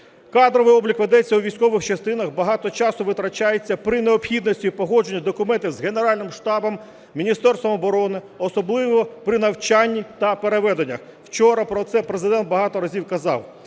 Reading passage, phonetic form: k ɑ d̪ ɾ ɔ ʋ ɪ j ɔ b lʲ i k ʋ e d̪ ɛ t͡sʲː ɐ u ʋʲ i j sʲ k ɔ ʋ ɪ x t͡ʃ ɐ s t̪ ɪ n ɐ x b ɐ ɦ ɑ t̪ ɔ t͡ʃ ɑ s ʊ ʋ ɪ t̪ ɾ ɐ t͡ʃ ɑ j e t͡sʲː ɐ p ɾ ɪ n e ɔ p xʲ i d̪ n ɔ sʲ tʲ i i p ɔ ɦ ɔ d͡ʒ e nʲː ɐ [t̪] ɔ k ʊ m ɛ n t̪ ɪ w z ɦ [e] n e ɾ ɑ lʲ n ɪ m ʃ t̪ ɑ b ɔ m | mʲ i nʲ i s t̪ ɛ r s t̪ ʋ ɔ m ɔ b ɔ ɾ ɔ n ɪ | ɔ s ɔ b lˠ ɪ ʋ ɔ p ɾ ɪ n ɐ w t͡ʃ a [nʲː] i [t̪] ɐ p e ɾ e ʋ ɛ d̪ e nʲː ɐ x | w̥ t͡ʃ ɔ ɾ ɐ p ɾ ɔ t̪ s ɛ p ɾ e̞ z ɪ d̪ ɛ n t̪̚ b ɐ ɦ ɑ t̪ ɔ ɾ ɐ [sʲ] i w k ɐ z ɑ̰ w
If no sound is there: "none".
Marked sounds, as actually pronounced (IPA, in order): d̪, e, nʲː, t̪, zʲ

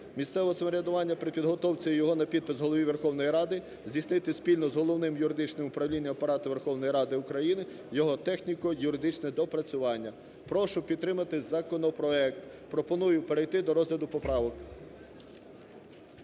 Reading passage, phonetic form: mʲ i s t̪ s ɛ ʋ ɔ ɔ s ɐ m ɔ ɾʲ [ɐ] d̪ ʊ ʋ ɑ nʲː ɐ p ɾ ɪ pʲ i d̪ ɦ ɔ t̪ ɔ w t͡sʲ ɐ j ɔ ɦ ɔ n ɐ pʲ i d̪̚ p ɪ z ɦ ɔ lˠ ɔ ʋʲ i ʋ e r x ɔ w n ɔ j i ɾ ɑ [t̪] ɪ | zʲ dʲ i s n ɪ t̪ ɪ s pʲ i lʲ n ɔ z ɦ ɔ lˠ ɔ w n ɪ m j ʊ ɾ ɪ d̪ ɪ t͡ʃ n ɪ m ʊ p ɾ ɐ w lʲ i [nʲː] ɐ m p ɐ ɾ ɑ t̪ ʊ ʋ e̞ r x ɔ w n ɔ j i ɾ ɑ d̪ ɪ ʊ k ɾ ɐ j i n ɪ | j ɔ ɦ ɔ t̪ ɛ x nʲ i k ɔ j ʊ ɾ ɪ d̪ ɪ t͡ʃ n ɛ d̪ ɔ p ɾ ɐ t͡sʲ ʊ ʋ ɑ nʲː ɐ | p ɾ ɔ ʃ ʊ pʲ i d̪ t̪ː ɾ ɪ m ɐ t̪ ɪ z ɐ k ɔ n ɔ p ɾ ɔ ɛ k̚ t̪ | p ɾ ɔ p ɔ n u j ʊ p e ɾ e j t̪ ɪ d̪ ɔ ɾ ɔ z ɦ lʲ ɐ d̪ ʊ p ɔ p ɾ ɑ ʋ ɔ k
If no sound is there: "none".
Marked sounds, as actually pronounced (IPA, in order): ɐ, d̪, nʲː

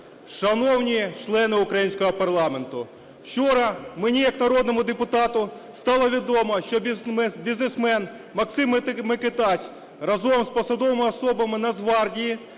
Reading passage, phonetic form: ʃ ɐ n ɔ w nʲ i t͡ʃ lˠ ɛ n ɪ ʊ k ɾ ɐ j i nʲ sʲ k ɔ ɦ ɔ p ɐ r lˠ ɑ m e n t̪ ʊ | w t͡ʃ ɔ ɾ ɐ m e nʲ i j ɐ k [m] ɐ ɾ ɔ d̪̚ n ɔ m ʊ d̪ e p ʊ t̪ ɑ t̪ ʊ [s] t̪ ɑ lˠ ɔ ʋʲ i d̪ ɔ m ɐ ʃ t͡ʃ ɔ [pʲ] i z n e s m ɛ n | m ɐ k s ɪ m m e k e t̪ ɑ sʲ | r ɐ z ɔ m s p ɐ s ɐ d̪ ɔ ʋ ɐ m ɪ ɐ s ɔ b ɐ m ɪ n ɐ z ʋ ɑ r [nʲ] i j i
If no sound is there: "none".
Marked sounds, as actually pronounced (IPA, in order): n, s, bʲ, dʲ

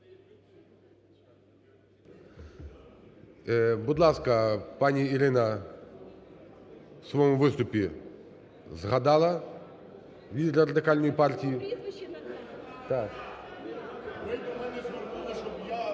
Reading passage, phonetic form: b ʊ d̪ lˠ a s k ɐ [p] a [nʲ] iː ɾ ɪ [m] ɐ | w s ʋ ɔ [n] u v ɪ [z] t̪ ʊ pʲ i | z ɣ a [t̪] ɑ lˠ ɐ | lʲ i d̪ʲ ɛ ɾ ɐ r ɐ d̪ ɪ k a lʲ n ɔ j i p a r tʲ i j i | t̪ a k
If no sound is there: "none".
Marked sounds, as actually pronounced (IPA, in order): p, nʲ, n, m, s, d̪

